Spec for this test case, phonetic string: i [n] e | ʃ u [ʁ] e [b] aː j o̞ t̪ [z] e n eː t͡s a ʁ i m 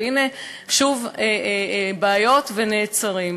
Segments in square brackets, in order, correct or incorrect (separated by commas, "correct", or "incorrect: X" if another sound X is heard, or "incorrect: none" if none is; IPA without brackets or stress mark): correct, incorrect: v, correct, incorrect: v